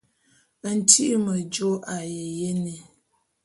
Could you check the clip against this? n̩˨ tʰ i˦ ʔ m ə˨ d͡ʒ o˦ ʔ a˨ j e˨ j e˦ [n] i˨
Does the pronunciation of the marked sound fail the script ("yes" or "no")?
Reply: no